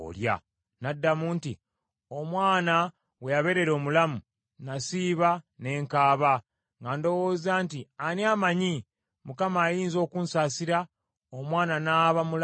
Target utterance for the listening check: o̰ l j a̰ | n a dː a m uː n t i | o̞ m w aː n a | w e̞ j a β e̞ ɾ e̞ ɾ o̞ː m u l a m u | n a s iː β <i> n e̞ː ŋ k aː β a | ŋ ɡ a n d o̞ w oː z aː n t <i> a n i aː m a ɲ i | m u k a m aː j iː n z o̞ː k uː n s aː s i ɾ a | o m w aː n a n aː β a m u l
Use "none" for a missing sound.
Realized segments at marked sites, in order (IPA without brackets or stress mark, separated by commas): a, i